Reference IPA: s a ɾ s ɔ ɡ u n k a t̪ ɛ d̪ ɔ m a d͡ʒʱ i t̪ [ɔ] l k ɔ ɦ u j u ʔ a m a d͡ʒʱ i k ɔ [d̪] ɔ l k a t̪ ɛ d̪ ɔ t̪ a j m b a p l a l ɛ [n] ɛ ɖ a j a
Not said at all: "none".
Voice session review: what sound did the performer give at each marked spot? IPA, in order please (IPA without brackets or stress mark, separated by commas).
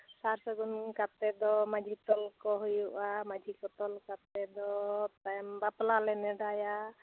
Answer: ɔ, t̪, n